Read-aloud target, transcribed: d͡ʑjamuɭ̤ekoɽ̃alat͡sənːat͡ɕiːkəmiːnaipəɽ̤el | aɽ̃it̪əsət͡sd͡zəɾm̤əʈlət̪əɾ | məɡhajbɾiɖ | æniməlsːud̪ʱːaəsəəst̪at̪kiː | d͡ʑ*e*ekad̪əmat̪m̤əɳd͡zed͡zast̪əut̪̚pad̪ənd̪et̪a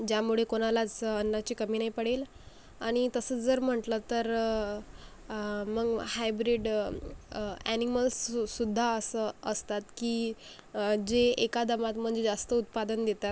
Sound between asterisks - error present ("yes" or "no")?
no